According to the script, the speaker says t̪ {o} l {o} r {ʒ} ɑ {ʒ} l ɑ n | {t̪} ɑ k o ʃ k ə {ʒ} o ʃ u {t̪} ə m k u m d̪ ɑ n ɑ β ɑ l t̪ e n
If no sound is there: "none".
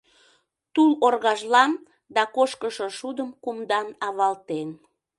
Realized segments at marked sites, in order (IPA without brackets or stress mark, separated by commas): u, o, ɣ, ʒ, d̪, ʃ, d̪